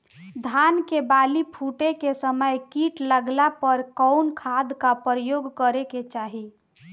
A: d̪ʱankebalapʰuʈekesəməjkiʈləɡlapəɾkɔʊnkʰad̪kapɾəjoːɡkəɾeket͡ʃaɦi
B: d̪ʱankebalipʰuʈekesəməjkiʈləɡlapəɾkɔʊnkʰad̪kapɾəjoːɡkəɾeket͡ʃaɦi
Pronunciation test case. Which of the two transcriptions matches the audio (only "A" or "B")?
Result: B